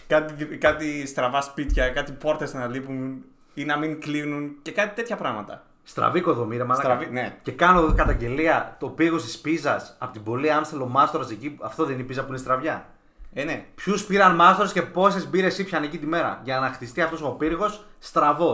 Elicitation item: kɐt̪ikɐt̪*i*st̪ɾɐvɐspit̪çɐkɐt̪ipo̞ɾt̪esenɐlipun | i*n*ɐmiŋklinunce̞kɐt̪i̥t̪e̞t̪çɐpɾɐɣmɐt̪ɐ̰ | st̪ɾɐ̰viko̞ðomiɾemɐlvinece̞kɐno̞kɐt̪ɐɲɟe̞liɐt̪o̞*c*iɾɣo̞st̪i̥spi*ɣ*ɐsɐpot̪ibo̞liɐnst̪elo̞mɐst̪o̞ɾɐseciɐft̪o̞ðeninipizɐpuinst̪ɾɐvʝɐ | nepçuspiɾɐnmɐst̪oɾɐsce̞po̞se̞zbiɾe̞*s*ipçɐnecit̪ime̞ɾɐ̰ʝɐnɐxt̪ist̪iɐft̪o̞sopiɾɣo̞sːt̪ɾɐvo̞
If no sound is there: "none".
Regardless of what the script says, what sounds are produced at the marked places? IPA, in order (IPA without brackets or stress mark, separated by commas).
i, n, p, z, s